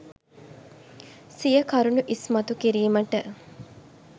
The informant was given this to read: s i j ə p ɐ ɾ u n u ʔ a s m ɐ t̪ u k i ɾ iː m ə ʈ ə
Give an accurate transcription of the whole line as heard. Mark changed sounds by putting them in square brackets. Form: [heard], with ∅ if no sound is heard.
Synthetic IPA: s i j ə [k] ɐ ɾ u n u ʔ [i] s m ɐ t̪ u k i ɾ iː m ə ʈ ə